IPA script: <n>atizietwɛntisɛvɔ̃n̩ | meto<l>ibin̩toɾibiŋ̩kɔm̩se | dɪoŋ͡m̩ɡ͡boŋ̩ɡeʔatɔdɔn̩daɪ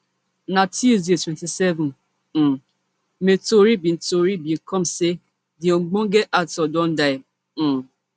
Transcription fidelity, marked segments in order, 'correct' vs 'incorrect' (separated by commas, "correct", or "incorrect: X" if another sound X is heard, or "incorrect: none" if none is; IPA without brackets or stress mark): correct, incorrect: ɾ